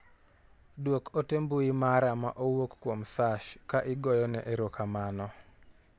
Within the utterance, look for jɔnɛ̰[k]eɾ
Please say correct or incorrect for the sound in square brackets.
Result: incorrect